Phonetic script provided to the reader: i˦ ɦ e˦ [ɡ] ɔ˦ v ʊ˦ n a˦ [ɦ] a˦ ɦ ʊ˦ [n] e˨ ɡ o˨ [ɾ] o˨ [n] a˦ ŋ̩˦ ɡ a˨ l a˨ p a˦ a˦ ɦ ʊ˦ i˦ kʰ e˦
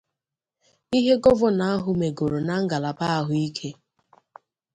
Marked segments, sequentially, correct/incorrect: correct, incorrect, incorrect, correct, correct

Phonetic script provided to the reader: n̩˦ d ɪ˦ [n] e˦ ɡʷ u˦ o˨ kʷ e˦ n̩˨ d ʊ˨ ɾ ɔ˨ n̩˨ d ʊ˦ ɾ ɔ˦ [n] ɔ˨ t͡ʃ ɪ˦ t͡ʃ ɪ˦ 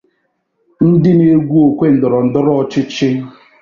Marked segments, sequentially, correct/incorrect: correct, incorrect

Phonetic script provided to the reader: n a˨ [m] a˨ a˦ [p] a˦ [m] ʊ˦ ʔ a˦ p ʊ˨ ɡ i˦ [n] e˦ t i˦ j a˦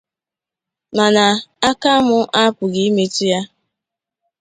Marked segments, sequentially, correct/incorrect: incorrect, incorrect, correct, incorrect

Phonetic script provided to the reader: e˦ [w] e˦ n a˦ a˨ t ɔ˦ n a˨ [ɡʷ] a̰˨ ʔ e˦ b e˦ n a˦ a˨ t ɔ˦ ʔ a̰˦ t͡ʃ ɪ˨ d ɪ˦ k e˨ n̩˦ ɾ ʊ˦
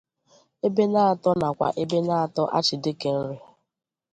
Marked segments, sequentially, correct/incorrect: incorrect, incorrect

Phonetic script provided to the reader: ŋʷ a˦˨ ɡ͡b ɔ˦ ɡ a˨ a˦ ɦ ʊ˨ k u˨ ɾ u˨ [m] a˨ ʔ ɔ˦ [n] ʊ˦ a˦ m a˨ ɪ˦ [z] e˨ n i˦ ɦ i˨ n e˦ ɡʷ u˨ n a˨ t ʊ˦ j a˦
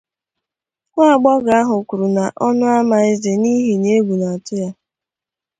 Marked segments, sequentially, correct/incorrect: incorrect, correct, correct

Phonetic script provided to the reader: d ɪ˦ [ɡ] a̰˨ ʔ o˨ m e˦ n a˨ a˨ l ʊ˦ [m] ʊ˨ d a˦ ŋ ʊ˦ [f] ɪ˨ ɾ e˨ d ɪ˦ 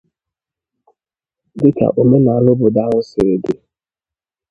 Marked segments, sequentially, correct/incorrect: incorrect, incorrect, incorrect

